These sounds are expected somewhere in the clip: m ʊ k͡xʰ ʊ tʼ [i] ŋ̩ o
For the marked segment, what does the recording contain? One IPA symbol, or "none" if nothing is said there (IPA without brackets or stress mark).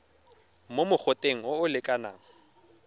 e